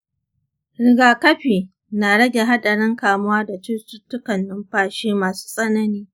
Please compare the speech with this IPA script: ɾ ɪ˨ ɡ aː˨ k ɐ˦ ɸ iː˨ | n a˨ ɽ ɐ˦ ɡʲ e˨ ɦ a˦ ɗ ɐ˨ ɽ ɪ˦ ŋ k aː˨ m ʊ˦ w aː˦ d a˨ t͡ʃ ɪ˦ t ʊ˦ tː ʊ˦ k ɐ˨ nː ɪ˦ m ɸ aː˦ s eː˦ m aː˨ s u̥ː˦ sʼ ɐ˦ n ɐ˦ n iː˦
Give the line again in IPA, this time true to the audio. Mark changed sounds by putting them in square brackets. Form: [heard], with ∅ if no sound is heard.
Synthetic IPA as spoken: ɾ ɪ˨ ɡ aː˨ k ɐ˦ ɸ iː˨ | n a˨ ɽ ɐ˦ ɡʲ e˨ ɦ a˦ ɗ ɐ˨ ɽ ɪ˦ ŋ k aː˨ m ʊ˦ w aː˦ d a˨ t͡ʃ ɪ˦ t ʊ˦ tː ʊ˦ k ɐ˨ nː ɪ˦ m ɸ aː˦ [ʃ] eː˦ m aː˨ s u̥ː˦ sʼ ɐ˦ n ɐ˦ n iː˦